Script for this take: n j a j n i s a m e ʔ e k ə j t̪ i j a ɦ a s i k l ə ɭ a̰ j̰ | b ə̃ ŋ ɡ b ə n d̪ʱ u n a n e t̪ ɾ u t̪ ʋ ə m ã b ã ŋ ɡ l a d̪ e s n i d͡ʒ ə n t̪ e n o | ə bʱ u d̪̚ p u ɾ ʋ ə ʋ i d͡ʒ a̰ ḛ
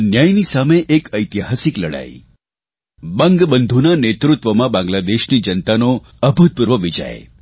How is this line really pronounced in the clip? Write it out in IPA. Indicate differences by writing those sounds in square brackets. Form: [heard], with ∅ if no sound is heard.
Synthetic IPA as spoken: n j a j n i s a m e ʔ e k ə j t̪ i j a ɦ a s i k l ə [ɽ] a̰ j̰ | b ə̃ ŋ ɡ b ə n d̪ʱ u n a n e t̪ ɾ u t̪ ʋ ə m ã b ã ŋ ɡ l a d̪ e [ʃ] n i d͡ʒ ə n t̪ [a] n o | ə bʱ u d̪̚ p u ɾ ʋ ə ʋ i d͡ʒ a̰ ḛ